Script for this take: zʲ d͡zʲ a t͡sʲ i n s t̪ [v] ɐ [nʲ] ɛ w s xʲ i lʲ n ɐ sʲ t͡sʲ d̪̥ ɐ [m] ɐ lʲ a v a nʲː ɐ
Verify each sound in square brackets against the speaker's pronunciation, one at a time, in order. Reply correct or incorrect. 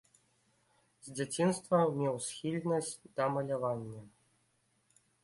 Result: correct, incorrect, correct

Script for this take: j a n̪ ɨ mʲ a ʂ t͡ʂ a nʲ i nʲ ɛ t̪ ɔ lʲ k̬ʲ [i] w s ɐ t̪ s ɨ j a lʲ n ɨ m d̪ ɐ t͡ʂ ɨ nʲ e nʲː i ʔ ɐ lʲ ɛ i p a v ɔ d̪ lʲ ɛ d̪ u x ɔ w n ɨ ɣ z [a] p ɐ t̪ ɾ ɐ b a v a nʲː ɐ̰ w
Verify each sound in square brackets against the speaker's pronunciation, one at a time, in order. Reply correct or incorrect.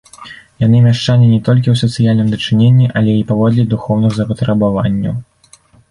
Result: correct, incorrect

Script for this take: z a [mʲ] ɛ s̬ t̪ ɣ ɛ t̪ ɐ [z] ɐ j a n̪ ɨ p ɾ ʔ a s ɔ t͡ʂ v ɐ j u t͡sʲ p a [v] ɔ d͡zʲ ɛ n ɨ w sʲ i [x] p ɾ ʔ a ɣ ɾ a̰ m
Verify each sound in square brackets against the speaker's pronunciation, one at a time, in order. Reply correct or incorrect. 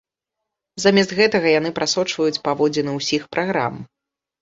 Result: correct, incorrect, correct, correct

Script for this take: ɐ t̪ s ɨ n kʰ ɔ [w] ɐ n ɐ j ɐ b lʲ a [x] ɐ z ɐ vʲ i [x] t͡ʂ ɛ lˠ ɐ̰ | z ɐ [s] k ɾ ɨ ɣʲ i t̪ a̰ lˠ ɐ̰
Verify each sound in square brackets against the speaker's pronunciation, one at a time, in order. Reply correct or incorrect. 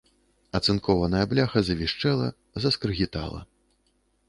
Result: incorrect, correct, incorrect, correct

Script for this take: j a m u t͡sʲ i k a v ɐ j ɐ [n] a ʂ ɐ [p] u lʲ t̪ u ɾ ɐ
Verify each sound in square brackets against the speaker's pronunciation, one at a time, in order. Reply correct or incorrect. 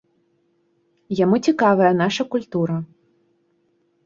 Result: correct, incorrect

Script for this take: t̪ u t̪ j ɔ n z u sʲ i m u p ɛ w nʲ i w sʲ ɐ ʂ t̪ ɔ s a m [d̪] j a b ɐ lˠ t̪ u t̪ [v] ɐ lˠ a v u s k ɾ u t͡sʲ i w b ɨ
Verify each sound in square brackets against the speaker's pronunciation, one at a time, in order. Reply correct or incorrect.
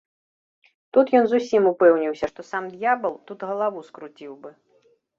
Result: correct, incorrect

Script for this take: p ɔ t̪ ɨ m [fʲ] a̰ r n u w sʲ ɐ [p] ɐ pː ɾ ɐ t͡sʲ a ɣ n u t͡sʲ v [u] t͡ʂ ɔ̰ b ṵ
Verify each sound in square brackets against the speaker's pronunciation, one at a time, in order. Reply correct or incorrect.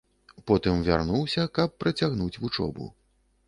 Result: incorrect, incorrect, correct

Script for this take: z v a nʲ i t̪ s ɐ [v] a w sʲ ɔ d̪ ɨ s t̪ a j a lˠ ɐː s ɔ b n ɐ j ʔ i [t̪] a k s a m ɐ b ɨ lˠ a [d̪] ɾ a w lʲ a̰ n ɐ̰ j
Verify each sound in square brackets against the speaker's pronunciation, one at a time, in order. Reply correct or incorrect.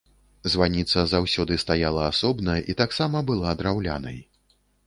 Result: incorrect, correct, correct

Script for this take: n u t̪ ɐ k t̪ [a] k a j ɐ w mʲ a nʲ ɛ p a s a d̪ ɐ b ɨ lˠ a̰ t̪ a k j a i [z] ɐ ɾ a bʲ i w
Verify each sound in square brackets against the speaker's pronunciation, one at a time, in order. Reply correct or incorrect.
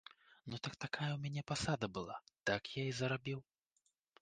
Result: correct, correct

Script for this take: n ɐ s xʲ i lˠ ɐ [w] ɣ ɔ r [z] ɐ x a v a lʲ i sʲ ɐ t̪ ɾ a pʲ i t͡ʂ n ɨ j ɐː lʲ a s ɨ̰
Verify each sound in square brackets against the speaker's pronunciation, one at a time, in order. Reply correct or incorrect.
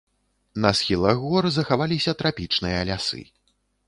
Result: incorrect, correct

